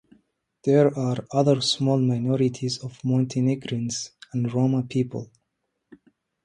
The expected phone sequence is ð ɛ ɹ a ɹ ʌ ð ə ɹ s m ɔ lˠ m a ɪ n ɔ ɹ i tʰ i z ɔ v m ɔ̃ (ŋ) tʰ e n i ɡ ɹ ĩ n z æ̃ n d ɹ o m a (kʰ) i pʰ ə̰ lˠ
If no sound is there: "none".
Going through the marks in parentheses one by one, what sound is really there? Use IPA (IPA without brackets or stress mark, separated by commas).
n, pʰ